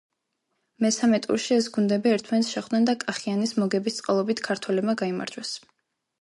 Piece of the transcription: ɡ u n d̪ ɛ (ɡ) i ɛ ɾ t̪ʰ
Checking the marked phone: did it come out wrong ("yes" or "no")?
yes